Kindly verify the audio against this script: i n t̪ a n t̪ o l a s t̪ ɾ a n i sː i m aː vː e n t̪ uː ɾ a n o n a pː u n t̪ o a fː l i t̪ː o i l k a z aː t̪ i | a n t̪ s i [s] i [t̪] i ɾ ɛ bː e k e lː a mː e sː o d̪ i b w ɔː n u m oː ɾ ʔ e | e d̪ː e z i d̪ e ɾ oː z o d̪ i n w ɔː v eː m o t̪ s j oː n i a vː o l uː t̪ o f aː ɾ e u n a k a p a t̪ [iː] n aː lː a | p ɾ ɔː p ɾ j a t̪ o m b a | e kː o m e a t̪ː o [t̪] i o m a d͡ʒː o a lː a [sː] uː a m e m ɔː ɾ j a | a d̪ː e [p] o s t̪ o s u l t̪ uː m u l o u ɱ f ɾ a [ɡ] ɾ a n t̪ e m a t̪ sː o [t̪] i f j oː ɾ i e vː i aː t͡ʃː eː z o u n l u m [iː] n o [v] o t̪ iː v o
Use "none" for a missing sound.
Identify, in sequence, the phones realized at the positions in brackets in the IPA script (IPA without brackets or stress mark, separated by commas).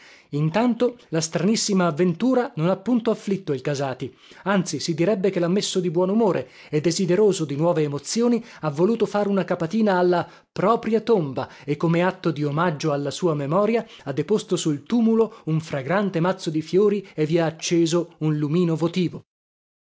s, d̪, iː, d̪, s, p, ɡ, d̪, iː, v